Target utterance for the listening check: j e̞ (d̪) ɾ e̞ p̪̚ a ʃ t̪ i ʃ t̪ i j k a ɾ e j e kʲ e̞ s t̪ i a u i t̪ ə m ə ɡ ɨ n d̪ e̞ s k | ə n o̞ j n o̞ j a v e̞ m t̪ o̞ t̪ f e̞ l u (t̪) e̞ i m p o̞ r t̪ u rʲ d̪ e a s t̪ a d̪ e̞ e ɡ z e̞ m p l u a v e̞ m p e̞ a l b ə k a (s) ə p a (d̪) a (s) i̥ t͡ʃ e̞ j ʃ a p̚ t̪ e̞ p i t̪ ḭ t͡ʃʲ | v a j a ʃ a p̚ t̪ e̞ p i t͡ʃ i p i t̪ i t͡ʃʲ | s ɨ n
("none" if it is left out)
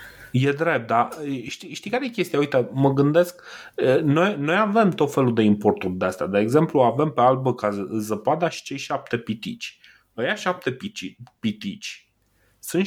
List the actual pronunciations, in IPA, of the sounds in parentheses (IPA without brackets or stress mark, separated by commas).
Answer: d̪, d̪, z, d̪, ʃ